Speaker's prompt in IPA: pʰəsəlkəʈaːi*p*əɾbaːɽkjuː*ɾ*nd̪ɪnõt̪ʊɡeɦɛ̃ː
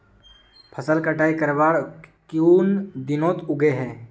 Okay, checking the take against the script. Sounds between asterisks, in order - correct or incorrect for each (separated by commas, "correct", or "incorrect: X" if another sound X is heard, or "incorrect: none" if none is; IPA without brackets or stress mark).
incorrect: k, incorrect: none